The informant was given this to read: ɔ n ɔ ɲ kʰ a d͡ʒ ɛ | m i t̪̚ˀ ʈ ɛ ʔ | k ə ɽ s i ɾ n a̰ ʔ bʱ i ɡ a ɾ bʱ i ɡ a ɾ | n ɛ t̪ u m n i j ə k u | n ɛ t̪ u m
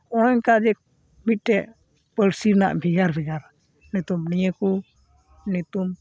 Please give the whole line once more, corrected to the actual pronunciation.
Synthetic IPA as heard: ɔ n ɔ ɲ k a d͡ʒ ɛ | m i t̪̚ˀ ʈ ɛ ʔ | p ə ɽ s i ɾ n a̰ ʔ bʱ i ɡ a ɾ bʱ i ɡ a ɾ | n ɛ t̪ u m n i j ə k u | n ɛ t̪ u m

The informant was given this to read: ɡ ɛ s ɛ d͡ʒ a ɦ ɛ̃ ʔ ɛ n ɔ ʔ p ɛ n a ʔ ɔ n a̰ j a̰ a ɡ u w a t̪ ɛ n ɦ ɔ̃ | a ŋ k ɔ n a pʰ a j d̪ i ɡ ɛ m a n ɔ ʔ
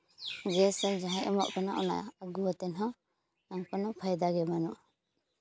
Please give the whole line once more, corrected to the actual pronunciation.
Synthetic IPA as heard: ɡ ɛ s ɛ d͡ʒ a ɦ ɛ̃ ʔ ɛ m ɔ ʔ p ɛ n a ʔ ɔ n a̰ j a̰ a ɡ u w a t̪ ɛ n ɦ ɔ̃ | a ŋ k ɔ n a pʰ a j d̪ a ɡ ɛ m a n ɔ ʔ

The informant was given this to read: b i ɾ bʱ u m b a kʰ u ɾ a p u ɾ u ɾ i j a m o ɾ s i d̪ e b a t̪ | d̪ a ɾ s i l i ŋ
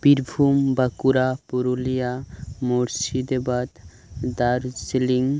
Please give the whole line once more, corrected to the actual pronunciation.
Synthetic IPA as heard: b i ɾ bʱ u m b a k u ɾ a p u ɾ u l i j a m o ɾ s i d̪ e b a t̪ | d̪ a ɾ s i l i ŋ

